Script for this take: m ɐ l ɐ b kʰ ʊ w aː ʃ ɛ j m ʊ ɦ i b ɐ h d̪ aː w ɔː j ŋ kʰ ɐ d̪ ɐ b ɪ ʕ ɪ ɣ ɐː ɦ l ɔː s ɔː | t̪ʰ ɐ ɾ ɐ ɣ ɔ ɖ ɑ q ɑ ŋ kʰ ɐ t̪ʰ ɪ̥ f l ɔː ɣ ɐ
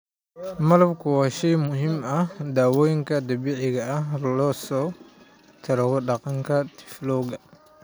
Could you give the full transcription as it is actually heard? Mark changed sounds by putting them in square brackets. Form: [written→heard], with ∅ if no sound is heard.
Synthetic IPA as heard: m ɐ l ɐ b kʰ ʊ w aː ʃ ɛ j m ʊ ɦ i [b→m] ɐ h d̪ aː w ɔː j ŋ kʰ ɐ d̪ ɐ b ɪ ʕ ɪ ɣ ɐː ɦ l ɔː s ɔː | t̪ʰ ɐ ɾ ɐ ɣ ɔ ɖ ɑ q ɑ ŋ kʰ ɐ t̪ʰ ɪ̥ f l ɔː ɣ ɐ